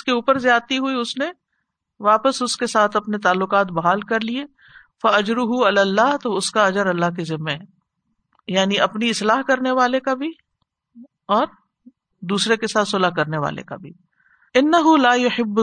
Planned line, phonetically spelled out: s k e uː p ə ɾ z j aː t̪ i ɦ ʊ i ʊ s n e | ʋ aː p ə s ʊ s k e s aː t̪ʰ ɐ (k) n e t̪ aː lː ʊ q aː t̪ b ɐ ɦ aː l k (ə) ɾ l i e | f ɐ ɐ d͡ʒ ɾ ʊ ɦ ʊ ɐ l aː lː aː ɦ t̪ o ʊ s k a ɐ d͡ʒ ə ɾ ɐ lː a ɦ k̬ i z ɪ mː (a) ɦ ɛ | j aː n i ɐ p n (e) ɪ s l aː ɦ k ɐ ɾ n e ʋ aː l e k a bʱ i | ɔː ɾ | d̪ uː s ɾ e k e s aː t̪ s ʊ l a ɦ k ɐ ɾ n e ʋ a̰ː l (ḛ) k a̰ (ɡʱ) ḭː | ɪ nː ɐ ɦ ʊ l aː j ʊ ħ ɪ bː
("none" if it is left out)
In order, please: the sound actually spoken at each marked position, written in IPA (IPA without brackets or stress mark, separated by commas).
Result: p, ɐ, e, i, ḛ, bʱ